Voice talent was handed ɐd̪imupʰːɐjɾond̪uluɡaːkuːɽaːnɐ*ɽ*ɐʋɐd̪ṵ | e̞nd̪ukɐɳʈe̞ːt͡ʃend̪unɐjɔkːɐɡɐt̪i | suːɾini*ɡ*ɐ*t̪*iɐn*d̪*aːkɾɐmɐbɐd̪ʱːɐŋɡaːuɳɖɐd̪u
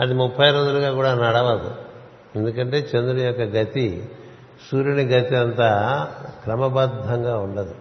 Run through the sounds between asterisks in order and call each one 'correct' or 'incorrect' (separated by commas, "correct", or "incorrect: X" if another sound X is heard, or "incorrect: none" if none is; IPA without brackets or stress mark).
correct, correct, correct, incorrect: t̪